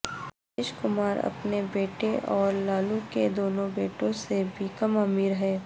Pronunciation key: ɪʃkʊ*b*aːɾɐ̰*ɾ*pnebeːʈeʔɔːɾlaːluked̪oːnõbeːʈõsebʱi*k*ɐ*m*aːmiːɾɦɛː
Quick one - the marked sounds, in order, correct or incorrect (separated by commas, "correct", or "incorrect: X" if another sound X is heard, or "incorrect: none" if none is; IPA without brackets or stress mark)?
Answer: incorrect: m, incorrect: none, correct, correct